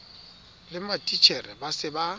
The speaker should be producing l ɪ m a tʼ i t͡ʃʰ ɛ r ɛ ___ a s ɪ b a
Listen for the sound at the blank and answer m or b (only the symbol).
b